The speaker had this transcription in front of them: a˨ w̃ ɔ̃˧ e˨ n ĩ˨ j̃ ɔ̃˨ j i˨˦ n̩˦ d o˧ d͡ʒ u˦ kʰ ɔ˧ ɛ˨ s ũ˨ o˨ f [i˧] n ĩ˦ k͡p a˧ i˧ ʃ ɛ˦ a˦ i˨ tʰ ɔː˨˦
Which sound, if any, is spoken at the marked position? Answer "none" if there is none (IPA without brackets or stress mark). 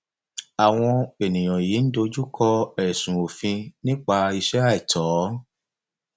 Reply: ĩ˧